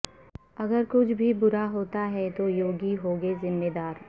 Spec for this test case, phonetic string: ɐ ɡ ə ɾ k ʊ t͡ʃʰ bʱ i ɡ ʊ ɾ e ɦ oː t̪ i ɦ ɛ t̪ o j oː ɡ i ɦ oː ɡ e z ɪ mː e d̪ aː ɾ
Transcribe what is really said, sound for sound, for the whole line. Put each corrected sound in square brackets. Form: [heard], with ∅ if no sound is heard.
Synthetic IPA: ɐ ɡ ə ɾ k ʊ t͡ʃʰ bʱ i [b] ʊ ɾ [a] ɦ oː t̪ [a] ɦ ɛ t̪ o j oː ɡ i ɦ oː ɡ e z ɪ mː e d̪ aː ɾ